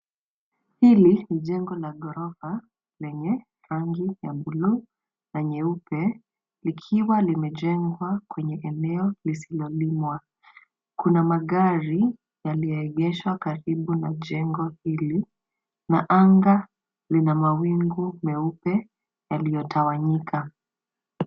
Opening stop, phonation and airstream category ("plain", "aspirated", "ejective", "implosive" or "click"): implosive